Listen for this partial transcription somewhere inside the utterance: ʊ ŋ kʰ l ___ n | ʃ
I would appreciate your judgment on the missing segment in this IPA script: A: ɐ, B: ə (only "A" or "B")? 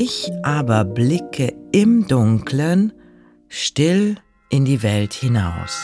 B